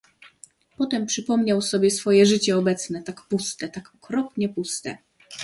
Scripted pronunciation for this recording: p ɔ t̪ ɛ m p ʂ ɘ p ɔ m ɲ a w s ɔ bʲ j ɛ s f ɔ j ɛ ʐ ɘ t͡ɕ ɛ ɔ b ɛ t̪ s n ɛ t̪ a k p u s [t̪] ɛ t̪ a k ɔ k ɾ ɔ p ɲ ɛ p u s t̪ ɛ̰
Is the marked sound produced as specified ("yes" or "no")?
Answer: yes